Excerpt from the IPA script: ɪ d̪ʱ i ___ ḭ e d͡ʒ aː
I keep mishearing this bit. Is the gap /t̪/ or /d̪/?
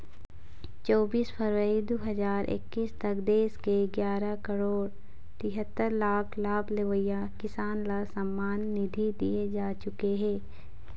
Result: d̪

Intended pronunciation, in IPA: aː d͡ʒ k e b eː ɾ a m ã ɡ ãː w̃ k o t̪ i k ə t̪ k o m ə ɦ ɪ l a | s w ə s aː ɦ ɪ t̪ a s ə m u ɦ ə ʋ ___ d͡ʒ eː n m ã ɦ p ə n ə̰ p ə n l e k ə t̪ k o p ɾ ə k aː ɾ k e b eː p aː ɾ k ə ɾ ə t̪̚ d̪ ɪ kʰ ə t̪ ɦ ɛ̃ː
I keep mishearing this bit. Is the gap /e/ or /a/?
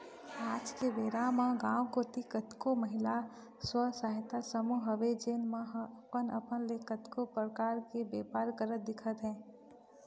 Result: e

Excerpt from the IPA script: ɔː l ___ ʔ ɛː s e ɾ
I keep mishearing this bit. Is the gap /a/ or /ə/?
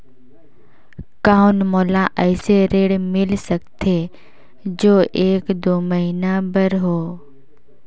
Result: a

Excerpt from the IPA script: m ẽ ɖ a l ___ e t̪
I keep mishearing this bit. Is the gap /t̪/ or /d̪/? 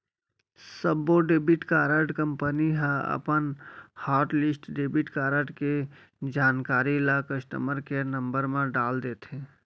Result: d̪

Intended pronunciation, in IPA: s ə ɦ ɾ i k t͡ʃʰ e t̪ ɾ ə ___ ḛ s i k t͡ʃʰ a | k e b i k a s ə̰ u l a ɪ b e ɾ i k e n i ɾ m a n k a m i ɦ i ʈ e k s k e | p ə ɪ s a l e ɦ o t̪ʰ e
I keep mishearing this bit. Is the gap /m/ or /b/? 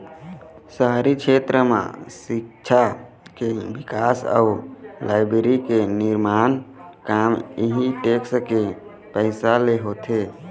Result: m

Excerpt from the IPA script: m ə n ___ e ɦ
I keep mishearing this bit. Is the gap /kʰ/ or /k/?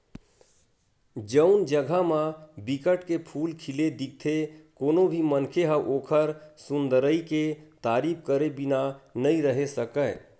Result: kʰ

